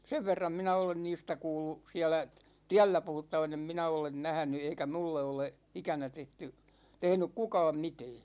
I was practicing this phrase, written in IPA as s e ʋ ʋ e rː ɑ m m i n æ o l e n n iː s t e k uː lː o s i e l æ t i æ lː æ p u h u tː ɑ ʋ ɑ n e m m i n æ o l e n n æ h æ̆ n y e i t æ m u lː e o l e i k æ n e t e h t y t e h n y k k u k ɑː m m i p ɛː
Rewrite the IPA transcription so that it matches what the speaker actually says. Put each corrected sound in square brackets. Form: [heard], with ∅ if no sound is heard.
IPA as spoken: s e ʋ ʋ e rː ɑ m m i n æ o l e n n iː s t [æ] k uː lː [u] s i [æ] l æ t i æ lː æ p u h u tː ɑ ʋ ɑ n e m m i n æ o l e n n æ h æ̆ n y e i [k] æ m u lː e o l e i k æ n [æ] t e h t y t e h n y k k u k ɑː m m i [t] ɛː